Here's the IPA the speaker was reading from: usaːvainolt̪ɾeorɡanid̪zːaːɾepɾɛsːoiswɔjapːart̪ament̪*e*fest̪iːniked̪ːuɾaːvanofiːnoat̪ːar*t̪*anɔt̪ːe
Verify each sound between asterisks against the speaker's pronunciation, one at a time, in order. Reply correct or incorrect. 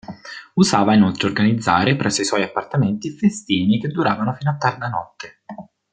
incorrect: i, incorrect: d̪

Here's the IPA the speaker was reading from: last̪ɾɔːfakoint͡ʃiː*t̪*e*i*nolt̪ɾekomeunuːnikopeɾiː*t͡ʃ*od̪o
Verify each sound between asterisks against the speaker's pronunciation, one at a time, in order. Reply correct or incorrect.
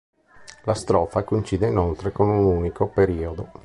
incorrect: d̪, correct, incorrect: none

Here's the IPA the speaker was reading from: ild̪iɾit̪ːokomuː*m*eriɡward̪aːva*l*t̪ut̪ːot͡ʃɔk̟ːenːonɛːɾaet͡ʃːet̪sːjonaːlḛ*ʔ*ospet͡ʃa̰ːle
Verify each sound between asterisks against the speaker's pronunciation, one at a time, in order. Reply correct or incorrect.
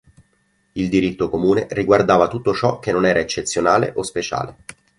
incorrect: n, incorrect: none, correct

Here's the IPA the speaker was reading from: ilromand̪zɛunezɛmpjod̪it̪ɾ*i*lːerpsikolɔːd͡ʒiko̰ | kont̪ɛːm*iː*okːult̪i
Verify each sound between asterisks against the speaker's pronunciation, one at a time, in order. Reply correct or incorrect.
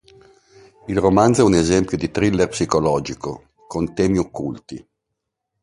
correct, incorrect: i

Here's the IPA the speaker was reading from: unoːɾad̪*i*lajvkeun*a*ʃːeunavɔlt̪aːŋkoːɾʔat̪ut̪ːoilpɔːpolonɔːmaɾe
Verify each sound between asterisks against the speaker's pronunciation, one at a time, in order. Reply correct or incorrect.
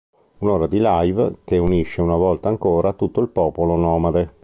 correct, incorrect: i

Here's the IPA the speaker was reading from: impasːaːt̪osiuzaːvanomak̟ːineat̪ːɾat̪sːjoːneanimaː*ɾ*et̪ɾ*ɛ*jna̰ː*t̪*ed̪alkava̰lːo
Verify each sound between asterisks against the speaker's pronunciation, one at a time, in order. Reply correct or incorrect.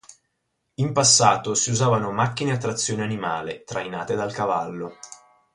incorrect: l, incorrect: a, correct

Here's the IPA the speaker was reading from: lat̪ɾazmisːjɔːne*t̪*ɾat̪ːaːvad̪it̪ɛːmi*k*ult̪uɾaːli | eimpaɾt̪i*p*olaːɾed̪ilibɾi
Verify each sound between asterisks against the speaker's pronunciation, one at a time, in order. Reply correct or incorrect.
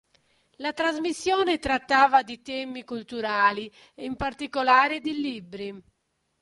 correct, correct, incorrect: k

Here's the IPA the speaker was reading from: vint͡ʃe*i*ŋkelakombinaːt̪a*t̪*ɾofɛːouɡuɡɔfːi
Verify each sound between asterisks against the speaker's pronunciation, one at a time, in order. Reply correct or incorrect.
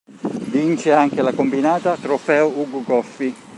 incorrect: a, correct

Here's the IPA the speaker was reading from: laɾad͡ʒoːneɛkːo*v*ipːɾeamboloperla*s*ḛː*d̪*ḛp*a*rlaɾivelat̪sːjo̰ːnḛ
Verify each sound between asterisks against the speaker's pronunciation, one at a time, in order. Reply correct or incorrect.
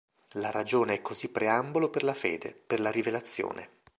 incorrect: z, incorrect: f, correct, incorrect: e

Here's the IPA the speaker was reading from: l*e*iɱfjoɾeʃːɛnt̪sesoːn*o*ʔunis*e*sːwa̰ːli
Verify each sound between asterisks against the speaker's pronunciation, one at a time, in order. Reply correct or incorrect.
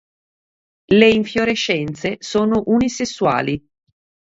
correct, correct, correct

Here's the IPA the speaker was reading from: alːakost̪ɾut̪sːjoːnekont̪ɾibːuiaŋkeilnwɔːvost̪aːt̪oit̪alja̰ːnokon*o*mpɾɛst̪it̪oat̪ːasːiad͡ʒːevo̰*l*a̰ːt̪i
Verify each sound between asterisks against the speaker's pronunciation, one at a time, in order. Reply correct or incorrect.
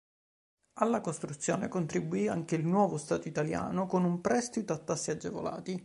incorrect: u, correct

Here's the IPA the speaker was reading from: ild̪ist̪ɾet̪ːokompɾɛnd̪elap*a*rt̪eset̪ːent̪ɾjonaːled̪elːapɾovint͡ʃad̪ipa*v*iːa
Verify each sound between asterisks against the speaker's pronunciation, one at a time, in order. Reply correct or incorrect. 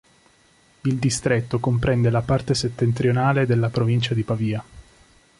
correct, correct

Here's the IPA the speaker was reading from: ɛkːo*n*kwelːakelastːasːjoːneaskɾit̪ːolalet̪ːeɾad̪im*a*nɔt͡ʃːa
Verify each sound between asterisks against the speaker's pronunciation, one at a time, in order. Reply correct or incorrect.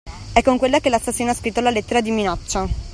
incorrect: ŋ, incorrect: i

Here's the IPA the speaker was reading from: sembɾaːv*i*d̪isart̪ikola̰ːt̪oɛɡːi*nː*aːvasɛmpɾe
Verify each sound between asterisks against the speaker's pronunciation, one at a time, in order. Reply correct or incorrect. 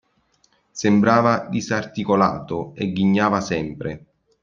incorrect: a, incorrect: ɲː

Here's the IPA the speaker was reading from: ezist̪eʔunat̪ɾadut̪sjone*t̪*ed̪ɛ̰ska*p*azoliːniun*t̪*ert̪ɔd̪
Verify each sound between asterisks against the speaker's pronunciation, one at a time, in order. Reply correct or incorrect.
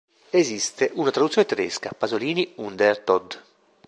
correct, correct, incorrect: d̪

